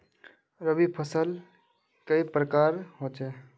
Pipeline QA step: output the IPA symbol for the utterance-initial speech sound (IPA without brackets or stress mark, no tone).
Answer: ɾ